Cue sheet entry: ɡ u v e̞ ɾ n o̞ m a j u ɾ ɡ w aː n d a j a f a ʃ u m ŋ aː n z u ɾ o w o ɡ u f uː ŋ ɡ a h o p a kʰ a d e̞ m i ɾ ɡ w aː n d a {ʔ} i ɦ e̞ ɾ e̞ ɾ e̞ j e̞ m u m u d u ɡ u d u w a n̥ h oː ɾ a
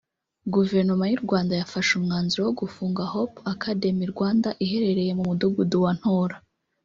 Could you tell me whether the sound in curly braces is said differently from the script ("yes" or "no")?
no